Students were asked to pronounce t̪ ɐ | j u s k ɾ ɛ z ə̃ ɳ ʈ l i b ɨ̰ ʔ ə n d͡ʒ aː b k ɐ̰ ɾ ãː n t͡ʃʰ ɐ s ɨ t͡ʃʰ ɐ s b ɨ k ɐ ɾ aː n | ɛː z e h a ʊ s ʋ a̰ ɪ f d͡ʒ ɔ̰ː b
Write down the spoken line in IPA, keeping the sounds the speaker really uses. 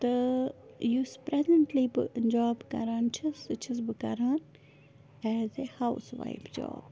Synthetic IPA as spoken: t̪ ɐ | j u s p ɾ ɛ z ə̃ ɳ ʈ l i b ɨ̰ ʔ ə n d͡ʒ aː b k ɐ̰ ɾ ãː n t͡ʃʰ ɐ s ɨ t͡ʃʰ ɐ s b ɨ k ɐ ɾ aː n | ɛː z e h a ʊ s ʋ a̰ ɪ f d͡ʒ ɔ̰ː b